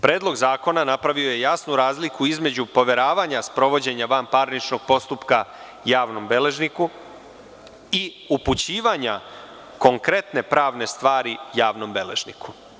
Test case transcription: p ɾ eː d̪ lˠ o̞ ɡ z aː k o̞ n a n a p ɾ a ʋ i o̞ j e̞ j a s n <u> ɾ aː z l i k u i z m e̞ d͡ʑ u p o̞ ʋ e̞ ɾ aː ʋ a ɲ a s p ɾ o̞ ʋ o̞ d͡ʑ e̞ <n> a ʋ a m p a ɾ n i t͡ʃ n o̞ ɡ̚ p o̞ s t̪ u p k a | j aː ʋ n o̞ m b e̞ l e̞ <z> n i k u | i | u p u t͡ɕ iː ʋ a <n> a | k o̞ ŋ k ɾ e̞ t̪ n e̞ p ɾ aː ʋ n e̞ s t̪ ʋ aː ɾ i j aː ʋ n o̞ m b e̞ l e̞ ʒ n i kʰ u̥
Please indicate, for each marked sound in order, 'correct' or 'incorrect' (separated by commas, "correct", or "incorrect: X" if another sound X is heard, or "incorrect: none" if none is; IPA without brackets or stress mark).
correct, incorrect: ɲ, incorrect: ʒ, incorrect: ɲ